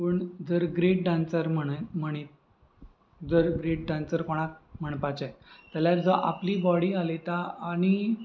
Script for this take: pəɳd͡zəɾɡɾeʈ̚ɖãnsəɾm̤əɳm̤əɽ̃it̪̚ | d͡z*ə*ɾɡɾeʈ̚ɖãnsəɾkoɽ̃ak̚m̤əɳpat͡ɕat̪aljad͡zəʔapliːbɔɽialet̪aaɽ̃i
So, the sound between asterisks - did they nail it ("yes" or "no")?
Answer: yes